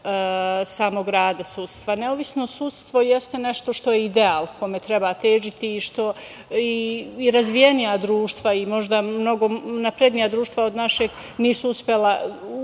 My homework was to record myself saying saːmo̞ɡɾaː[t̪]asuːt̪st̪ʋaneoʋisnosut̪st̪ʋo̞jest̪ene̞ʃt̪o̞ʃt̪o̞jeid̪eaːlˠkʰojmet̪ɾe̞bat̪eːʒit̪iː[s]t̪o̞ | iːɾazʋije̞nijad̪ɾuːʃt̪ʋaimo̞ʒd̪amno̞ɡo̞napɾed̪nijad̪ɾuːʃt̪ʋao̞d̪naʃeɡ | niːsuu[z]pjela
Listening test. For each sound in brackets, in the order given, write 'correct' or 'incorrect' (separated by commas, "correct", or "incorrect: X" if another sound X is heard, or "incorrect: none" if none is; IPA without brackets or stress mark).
incorrect: d̪, incorrect: ʃ, incorrect: s